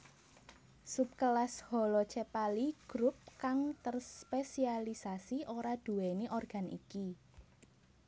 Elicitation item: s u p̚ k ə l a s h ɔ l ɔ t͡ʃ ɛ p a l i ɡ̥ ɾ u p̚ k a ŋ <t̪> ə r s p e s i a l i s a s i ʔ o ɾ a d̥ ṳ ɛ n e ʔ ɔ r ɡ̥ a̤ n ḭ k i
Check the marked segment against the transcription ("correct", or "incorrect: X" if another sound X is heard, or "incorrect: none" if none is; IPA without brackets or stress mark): correct